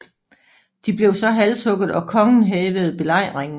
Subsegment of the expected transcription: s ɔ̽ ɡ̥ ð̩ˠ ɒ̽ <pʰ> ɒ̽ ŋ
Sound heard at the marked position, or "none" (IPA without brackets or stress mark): kʰ